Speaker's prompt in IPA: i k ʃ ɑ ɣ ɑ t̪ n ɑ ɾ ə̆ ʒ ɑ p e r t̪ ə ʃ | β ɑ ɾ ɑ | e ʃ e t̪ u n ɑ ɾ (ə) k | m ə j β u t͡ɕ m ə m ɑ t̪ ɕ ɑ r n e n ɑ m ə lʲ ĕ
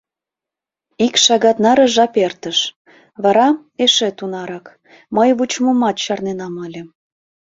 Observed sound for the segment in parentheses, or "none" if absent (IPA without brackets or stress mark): ɑ